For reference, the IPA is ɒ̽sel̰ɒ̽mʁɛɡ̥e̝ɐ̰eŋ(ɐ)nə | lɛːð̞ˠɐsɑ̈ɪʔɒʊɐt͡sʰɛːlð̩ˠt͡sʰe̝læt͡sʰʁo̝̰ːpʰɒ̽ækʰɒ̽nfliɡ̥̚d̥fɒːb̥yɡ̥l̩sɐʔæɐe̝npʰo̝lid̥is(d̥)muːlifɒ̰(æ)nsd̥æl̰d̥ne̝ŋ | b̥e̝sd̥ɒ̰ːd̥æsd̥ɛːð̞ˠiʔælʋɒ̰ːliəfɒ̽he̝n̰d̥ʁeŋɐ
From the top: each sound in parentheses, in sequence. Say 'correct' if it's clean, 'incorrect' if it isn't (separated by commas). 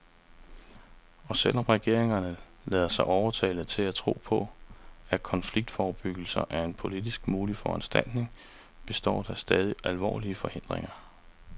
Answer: correct, incorrect, correct